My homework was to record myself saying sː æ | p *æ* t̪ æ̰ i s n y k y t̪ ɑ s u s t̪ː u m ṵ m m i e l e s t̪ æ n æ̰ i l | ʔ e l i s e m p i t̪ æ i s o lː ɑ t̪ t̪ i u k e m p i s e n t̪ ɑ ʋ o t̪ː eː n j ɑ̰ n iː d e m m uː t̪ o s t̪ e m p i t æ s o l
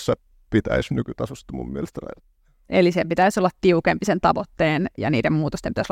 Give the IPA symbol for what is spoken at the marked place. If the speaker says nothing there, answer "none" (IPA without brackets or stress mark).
i